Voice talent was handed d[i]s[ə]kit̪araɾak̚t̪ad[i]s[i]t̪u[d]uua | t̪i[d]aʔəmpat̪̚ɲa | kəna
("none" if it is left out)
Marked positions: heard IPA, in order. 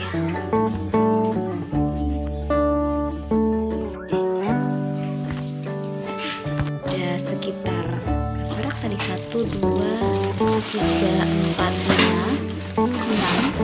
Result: a, ə, i, a, d, ɡ

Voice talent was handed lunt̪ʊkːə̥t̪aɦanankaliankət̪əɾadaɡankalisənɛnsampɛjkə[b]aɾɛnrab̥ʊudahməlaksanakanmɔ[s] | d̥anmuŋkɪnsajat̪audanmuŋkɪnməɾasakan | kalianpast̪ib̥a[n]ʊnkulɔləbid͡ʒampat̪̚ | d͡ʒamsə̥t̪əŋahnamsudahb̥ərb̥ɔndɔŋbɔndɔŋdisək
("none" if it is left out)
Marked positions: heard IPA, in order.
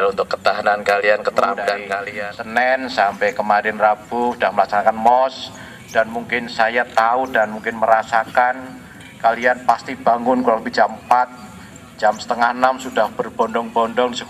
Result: m, s, ŋ

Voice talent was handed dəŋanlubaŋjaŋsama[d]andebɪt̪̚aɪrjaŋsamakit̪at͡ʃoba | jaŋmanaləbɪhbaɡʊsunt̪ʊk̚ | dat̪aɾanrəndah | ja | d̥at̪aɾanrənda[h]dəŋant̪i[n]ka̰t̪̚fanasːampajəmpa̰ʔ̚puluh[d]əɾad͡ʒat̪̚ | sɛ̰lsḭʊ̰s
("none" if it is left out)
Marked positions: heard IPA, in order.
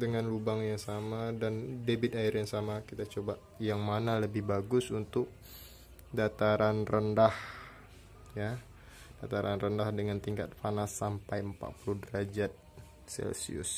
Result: d, h, ŋ, d

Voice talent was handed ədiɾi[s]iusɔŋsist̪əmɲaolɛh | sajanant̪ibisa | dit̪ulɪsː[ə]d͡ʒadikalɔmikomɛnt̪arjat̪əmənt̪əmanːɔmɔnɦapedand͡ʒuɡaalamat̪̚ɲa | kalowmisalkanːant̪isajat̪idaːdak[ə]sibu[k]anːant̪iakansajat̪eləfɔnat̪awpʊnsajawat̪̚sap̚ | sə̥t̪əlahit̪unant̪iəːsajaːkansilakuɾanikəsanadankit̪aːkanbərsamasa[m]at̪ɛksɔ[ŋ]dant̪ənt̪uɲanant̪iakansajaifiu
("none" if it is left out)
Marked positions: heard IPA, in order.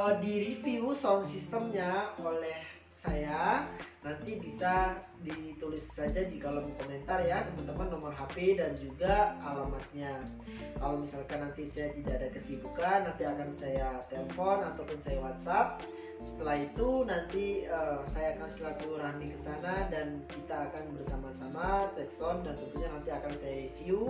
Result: f, a, ə, k, m, n

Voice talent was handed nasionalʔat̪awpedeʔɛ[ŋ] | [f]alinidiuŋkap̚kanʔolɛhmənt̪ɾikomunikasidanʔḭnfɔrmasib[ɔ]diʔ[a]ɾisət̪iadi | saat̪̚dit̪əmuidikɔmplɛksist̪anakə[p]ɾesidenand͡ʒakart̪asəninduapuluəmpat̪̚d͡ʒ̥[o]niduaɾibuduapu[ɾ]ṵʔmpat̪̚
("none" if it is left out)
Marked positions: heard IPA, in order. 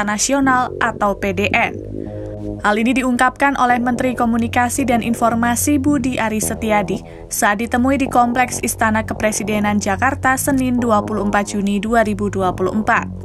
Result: n, h, u, a, p, u, l

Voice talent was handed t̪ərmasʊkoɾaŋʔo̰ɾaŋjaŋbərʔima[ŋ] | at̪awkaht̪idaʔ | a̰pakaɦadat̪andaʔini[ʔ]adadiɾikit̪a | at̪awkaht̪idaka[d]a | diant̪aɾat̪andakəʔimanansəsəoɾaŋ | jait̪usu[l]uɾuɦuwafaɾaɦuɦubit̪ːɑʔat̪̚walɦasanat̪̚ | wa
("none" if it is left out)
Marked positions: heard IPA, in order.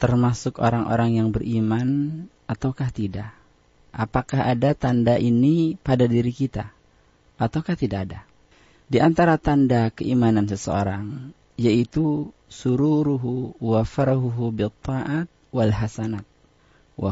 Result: n, p, d, ɾ

